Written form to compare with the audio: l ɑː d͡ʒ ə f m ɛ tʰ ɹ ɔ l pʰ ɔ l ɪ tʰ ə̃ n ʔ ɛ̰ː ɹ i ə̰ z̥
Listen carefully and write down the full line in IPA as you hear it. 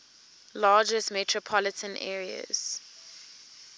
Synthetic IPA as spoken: l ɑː d͡ʒ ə s m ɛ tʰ ɹ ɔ pʰ ɔ l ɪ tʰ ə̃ n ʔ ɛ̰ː ɹ i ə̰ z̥